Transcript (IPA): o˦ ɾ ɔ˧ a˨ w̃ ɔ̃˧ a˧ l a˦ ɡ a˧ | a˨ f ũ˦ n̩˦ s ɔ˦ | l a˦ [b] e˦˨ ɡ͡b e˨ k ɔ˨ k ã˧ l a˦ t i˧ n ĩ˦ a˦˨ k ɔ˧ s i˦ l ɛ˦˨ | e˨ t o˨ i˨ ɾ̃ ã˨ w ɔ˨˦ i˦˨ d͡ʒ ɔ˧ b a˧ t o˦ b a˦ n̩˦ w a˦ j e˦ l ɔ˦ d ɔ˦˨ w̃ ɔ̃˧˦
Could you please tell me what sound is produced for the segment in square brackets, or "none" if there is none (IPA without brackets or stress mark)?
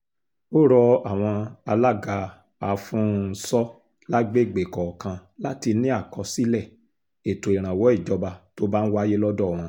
ɡ͡b